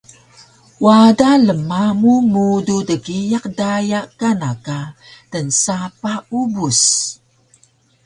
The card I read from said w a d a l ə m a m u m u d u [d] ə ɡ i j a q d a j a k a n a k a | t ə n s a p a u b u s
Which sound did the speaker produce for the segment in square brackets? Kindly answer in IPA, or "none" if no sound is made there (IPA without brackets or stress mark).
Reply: d